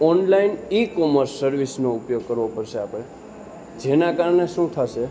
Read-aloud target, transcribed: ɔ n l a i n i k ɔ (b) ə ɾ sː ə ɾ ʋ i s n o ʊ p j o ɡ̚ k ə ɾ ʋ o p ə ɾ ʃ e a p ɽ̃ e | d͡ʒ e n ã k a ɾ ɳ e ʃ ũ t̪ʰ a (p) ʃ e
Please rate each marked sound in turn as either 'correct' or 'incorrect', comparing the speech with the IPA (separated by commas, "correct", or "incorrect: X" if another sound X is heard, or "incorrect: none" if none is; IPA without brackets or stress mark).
incorrect: m, incorrect: none